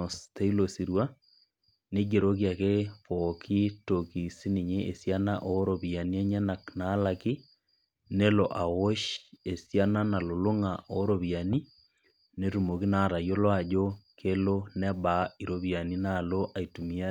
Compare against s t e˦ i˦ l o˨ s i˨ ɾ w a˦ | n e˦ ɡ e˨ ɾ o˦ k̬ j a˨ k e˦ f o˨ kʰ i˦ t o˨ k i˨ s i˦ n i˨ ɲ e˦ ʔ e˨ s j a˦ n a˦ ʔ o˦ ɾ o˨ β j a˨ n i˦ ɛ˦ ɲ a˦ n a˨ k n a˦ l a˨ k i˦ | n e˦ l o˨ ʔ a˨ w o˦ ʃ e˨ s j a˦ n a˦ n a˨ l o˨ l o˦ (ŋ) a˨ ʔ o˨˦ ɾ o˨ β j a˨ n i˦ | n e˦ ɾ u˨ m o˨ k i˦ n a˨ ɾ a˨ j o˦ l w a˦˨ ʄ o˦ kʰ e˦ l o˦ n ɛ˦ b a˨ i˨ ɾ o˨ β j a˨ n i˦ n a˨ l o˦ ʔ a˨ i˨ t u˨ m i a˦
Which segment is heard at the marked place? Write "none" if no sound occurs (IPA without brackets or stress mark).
ŋ